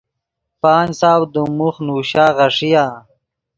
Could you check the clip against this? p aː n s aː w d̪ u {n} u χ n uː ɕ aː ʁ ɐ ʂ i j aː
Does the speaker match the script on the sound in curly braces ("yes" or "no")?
no